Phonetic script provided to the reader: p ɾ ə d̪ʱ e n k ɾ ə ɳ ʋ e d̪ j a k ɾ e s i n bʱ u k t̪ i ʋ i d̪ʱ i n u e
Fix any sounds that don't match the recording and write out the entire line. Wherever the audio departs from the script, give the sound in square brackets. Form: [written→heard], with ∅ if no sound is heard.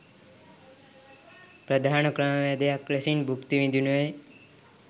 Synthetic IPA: p ɾ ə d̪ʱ [e→a] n k ɾ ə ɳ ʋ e d̪ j a k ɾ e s i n bʱ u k t̪ i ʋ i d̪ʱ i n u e